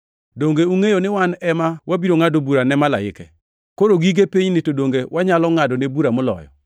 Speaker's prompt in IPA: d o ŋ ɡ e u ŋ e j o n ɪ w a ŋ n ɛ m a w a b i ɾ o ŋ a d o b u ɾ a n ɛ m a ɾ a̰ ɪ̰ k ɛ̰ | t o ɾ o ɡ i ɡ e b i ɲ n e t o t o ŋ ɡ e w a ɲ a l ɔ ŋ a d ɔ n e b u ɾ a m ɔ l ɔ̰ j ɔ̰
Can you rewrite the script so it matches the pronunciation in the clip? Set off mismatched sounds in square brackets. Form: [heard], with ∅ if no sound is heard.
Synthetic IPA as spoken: d o ŋ ɡ e u ŋ e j o n ɪ w a [∅] n ɛ m a w a b i ɾ o ŋ a d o b u ɾ a n ɛ m a [l] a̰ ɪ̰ k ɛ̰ | [k] o ɾ o ɡ i ɡ e [p] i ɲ n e t o [d] o ŋ ɡ e w a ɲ a l ɔ ŋ a d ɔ n e b u ɾ a m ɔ l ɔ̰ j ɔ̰